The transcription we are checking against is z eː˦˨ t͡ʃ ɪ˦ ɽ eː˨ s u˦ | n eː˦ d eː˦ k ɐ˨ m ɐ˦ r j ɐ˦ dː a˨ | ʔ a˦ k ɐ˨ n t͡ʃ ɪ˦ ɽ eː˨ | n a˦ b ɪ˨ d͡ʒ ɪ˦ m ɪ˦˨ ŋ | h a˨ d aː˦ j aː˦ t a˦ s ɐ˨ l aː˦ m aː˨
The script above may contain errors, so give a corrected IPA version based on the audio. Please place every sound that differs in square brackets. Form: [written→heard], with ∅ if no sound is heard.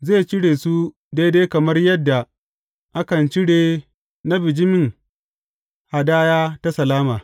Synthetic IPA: z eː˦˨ t͡ʃ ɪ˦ ɽ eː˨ s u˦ | [n→d] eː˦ d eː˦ k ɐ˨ m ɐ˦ r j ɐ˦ dː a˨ | ʔ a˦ k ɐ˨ n t͡ʃ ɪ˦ ɽ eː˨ | n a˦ b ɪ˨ d͡ʒ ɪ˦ m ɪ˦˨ ŋ | h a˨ d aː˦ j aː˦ t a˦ s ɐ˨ l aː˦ m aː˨